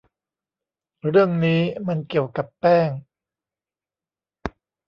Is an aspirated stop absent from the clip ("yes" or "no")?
yes